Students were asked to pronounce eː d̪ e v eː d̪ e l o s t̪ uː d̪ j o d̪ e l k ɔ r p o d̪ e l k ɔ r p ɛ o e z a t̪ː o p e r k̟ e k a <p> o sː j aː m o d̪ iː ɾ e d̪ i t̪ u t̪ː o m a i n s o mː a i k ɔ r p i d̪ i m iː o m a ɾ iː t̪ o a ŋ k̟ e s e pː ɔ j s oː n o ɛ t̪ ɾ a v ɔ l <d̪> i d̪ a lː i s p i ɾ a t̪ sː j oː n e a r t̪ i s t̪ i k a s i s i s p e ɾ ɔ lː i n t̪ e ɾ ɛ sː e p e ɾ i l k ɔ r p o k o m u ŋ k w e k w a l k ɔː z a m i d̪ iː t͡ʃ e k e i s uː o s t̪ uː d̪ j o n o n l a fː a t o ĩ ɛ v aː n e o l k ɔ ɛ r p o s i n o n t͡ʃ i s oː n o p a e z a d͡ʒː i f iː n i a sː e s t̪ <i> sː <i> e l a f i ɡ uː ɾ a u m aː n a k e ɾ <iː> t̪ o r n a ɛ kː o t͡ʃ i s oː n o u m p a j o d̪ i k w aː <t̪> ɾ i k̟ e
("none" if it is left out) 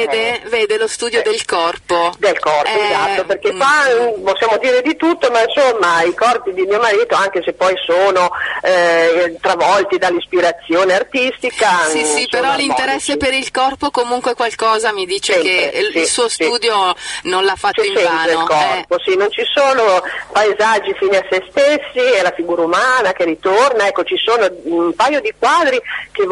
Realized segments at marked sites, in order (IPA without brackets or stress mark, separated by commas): p, t̪, e, i, i, d̪